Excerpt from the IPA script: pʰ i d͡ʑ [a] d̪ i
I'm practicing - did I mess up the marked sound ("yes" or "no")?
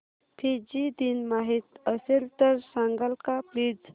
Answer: yes